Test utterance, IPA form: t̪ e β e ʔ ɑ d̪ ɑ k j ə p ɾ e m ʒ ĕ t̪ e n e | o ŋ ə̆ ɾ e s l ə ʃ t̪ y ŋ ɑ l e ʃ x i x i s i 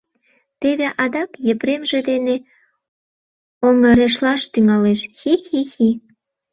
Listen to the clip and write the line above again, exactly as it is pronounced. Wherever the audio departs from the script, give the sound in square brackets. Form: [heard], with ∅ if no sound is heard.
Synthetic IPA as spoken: t̪ e β e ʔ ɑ d̪ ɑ k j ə p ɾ e m ʒ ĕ [d̪] e n e | o ŋ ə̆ ɾ e [ʃ] l [ɑ] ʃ t̪ y ŋ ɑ l e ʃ x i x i [x] i

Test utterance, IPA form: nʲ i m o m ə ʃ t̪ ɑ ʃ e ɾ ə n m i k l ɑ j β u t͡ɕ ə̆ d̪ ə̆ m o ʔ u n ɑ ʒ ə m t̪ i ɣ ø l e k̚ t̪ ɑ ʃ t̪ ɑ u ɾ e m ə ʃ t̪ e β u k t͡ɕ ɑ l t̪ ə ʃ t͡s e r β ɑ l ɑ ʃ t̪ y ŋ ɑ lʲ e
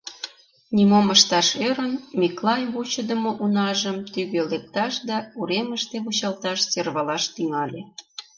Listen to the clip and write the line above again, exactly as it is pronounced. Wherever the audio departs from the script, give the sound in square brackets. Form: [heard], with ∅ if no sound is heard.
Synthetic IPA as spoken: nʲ i m o m ə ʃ t̪ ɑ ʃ e ɾ ə n m i k l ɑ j β u t͡ɕ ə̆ d̪ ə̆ m o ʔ u n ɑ ʒ ə m t̪ [y] ɣ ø l e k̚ t̪ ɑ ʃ [d̪] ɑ u ɾ e m ə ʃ t̪ e β u [∅] t͡ɕ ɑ l t̪ [ɑ] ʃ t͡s e r β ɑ l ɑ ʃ t̪ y ŋ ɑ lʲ e

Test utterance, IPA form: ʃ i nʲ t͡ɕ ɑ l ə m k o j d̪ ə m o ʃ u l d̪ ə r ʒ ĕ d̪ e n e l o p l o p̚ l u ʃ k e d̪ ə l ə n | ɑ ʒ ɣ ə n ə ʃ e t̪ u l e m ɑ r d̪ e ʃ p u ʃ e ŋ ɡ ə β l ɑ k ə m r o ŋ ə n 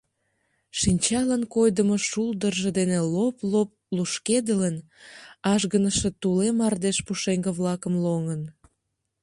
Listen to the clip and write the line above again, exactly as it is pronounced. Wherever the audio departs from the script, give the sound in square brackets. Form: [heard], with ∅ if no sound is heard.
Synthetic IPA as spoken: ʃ i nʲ t͡ɕ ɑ l ə [n] k o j d̪ ə m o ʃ u l d̪ ə r ʒ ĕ d̪ e n e l o p l o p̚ l u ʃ k e d̪ ə l ə n | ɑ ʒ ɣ ə n ə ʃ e t̪ u l e m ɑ r d̪ e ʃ p u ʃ e ŋ ɡ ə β l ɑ k ə m [l] o ŋ ə n

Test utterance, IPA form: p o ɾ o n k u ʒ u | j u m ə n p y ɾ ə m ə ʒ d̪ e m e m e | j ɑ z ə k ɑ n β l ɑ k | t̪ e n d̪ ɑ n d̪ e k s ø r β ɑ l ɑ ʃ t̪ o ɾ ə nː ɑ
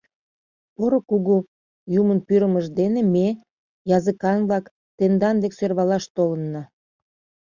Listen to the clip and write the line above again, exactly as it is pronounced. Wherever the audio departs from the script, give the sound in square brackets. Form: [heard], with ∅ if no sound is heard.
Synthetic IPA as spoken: p o ɾ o [∅] k u [ɣ] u | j u m ə n p y ɾ ə m ə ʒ d̪ e [n] e m e | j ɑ z ə k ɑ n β l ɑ k | t̪ e n d̪ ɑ n d̪ e k s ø r β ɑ l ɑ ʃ t̪ o [l] ə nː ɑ

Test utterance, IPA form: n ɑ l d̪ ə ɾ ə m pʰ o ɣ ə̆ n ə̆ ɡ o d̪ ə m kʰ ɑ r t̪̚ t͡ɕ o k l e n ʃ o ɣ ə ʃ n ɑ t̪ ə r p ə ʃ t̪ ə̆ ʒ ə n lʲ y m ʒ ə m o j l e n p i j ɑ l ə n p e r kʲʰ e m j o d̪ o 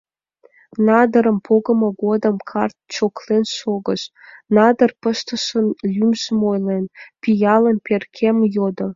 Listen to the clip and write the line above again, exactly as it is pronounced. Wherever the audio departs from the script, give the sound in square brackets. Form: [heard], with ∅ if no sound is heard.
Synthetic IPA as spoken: n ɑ [∅] d̪ ə ɾ ə m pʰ o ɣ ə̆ [m] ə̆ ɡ o d̪ ə m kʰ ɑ r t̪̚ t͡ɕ o k l e n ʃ o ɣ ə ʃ n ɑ [d̪] ə r p ə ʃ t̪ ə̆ [ʃ] ə n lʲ y m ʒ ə m o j l e n p i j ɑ l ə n p e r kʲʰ e m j o d̪ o

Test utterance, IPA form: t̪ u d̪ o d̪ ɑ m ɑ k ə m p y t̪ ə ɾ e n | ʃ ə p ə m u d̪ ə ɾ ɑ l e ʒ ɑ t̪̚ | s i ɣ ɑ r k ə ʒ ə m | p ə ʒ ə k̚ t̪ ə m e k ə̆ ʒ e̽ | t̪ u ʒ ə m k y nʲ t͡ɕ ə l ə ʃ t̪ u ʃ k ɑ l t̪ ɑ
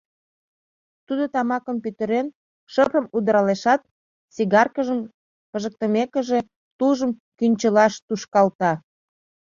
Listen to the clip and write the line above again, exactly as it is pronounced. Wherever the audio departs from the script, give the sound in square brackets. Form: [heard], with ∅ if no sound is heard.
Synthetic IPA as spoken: t̪ u d̪ o [t̪] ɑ m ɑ k ə m p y t̪ ə ɾ e n | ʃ ə p ə m u d̪ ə ɾ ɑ l e [ʃ] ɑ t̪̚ | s i ɣ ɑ r k ə ʒ ə m | p ə ʒ ə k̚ t̪ ə m e k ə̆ ʒ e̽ | t̪ u ʒ ə m k y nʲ t͡ɕ ə l [ɑ] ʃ t̪ u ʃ k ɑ l t̪ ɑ

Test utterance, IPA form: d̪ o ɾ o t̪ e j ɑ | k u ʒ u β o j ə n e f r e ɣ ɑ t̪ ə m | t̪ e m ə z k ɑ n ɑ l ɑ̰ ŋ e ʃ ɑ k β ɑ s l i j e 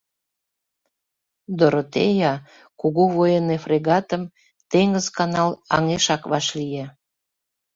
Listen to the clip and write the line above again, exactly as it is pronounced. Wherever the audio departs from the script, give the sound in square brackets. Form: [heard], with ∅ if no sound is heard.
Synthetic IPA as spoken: d̪ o ɾ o t̪ e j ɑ | k u [ɣ] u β o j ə n e f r e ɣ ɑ t̪ ə m | t̪ e [ŋ] ə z k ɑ n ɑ l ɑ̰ ŋ e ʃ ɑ k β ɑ [ʃ] l i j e

